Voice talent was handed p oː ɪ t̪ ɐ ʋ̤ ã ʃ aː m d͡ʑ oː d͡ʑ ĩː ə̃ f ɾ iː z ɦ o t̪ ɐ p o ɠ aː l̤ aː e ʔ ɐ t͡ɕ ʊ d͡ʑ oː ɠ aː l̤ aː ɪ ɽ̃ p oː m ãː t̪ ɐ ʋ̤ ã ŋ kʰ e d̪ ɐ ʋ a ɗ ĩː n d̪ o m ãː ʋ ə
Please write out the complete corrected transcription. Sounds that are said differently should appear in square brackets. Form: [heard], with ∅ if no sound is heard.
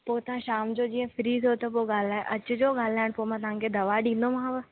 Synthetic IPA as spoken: p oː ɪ t̪ ɐ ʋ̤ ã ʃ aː m d͡ʑ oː d͡ʑ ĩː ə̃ f ɾ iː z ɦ o t̪ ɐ p o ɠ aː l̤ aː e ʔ ɐ t͡ɕ ʊ d͡ʑ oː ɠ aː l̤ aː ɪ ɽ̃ p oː m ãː t̪ ɐ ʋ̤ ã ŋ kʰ e d̪ ɐ ʋ a ɗ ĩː n d̪ o m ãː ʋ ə